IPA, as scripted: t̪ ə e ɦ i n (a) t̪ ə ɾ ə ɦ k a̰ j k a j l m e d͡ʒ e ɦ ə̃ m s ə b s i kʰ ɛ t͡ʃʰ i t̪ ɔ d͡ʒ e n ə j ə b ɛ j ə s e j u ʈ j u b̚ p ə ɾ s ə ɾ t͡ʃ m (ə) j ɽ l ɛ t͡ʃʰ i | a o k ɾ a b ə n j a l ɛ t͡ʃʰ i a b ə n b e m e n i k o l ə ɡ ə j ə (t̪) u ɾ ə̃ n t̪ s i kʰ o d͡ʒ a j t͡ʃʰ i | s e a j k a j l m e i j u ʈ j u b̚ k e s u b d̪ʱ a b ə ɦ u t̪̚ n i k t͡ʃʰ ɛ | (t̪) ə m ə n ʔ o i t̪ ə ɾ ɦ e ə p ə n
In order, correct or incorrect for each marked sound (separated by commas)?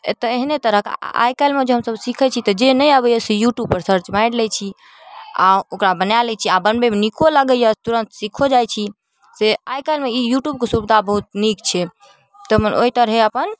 incorrect, incorrect, correct, correct